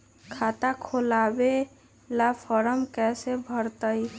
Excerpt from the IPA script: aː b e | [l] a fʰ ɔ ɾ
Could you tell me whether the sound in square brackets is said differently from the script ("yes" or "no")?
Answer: no